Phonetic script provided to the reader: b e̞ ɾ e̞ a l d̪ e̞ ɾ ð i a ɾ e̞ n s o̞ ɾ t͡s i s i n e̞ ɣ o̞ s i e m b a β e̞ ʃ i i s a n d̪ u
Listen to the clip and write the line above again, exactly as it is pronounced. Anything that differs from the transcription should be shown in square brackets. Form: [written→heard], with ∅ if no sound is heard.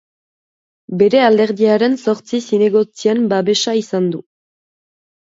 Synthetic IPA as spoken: b e̞ ɾ e̞ a l d̪ e̞ ɾ ð i a ɾ e̞ n s o̞ ɾ t͡s i s i n e̞ ɣ o̞ [s→t͡s] i e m b a β e̞ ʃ [i→a] i s a n d̪ u